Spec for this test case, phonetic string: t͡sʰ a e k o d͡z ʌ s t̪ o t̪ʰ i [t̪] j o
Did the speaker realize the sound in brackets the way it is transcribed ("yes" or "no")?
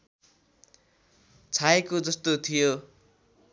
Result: no